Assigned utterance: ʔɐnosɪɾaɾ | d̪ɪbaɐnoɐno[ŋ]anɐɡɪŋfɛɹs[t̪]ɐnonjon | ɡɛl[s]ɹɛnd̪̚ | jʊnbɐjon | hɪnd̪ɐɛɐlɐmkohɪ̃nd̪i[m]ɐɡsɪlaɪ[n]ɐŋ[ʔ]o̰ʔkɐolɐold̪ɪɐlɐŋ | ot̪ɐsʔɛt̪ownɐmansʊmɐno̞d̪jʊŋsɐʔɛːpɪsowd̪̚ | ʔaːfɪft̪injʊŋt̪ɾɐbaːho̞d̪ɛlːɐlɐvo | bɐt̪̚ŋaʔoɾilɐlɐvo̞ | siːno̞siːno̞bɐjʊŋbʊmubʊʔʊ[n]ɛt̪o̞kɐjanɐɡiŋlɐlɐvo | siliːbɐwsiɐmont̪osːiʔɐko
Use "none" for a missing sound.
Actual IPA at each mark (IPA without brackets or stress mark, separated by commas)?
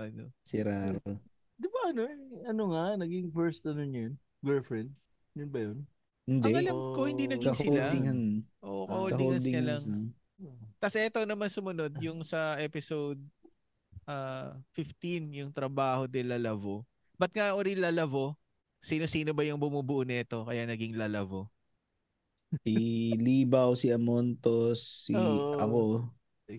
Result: ŋ, t̪, f, n, ŋ, ʔ, n